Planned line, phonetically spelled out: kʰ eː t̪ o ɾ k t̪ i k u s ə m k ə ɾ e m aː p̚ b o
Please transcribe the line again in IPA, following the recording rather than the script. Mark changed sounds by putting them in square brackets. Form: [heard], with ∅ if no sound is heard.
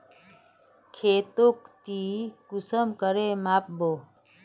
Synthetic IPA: kʰ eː t̪ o [∅] k t̪ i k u s ə m k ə ɾ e m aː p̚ b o